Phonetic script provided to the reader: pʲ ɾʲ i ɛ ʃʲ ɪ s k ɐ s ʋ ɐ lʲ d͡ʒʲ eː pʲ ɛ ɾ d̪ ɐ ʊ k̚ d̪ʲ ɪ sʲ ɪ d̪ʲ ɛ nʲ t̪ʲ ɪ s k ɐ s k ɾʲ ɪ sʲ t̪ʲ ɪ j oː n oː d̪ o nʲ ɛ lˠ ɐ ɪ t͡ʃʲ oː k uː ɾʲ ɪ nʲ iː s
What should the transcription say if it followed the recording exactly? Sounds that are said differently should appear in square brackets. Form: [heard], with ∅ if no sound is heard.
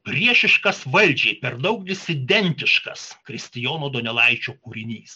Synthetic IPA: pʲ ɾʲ i ɛ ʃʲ ɪ [ʃ] k ɐ s ʋ ɐ lʲ d͡ʒʲ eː pʲ ɛ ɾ d̪ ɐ ʊ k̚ d̪ʲ ɪ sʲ ɪ d̪ʲ ɛ nʲ t̪ʲ ɪ [ʃ] k ɐ s k ɾʲ ɪ sʲ t̪ʲ ɪ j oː n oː d̪ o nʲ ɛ lˠ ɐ ɪ t͡ʃʲ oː k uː ɾʲ ɪ nʲ iː s